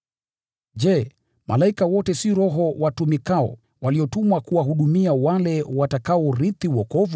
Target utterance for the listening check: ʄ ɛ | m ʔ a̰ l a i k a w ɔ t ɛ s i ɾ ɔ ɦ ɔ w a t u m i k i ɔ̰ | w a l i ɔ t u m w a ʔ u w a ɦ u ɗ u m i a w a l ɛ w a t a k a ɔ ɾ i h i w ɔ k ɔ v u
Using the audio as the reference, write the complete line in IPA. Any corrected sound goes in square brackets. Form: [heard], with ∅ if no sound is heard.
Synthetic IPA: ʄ ɛ | m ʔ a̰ l a i k a w ɔ t ɛ s i ɾ ɔ ɦ ɔ w a t u m i k [a] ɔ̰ | w a l i ɔ t u m w a [k] u w a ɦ u ɗ u m i a w a l ɛ w a t a k a ɔ ɾ i [θ] i w ɔ k ɔ v u